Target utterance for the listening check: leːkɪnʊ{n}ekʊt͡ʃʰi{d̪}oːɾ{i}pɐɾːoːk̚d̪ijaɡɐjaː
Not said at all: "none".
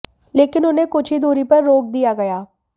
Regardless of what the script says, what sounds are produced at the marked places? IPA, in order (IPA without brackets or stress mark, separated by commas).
n, d̪, i